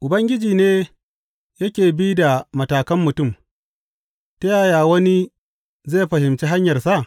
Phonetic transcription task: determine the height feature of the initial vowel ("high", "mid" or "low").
high